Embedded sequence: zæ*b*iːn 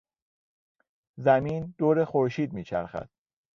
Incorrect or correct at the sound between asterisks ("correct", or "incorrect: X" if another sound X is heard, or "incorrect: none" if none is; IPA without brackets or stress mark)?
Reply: incorrect: m